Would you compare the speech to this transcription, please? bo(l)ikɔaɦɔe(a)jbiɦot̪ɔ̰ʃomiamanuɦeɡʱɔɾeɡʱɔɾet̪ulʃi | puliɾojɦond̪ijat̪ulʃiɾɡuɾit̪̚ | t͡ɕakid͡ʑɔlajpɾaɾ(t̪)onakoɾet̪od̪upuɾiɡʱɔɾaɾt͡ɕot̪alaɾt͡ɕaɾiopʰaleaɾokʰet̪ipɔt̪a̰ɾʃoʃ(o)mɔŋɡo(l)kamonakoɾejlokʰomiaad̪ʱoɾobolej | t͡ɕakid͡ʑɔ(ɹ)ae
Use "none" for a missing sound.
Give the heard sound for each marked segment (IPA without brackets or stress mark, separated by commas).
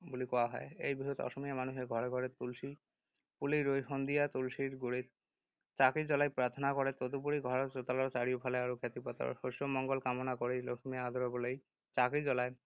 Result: l, e, t̪ʰ, o, l, l